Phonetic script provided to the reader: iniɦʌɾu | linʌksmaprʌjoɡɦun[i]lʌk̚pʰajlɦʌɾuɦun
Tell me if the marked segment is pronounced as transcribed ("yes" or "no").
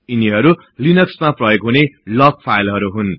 no